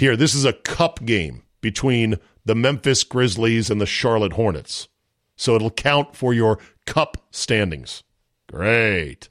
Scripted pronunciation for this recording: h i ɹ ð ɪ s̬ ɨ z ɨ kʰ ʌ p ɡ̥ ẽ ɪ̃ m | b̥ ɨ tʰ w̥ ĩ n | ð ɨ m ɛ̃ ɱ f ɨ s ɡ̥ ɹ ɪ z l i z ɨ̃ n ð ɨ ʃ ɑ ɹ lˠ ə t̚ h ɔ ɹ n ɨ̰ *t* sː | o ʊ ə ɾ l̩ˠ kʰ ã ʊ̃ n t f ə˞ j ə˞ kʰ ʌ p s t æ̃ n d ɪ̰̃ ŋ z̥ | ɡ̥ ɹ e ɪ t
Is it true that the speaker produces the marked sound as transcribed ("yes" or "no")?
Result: yes